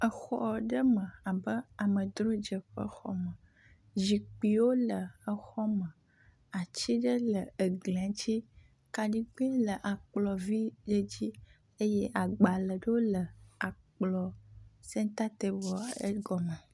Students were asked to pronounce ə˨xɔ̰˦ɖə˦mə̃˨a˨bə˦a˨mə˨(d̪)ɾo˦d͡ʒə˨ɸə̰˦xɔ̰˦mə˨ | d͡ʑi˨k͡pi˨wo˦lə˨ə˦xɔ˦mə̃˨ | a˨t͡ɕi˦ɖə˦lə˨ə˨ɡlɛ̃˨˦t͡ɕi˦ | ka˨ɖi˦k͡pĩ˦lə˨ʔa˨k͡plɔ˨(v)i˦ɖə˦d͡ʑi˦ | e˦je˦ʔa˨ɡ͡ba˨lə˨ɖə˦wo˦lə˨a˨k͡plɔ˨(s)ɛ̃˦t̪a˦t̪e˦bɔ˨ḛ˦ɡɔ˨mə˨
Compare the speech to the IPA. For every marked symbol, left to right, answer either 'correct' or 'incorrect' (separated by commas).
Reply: correct, correct, correct